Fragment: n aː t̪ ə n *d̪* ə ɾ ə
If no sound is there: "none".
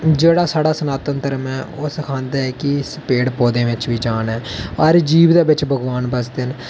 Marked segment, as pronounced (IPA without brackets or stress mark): t̪